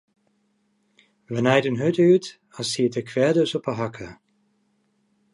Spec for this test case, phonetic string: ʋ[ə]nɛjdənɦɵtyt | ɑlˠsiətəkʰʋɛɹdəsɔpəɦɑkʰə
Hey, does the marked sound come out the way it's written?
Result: yes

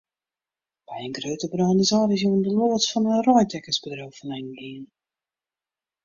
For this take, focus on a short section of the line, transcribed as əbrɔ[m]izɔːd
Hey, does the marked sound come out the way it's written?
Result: no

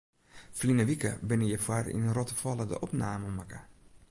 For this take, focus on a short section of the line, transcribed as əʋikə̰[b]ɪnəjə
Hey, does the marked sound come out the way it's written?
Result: yes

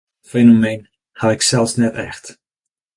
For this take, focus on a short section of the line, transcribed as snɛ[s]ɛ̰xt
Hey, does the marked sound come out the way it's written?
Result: no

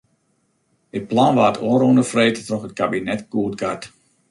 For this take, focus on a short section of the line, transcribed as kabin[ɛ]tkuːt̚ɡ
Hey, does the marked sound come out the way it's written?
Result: yes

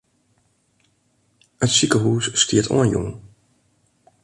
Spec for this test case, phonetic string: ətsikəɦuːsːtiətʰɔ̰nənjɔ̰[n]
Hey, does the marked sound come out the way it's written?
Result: no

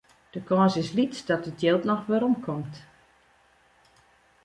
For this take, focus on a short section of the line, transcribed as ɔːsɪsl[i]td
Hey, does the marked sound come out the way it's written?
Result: yes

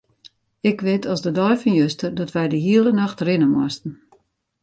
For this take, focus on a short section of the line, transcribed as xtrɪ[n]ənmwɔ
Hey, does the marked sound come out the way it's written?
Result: yes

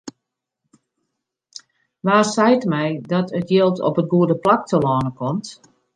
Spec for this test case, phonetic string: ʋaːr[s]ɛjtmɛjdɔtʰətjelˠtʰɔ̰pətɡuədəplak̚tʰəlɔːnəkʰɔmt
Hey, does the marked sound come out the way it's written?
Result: yes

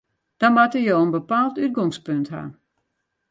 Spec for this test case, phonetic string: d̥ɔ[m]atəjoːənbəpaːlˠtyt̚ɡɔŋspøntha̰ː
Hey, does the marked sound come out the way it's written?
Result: yes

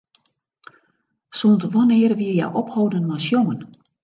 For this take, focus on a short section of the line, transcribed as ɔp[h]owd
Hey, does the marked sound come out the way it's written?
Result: yes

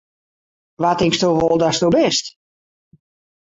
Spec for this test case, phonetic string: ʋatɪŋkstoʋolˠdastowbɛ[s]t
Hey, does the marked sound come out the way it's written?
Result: yes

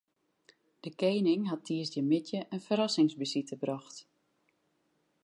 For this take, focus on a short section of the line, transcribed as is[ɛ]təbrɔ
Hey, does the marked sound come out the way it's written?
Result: no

